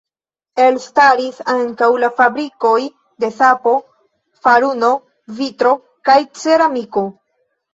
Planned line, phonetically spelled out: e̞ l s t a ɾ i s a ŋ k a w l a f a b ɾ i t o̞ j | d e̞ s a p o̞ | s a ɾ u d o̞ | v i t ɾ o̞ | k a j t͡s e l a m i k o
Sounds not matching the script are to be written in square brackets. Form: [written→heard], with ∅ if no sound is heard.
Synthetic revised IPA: e̞ l s t a ɾ i s a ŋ k a w l a f a b ɾ i [t→k] o̞ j | d e̞ s a p o̞ | [s→f] a ɾ u [d→n] o̞ | v i t ɾ o̞ | k a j t͡s e [l→ɾ] a m i k o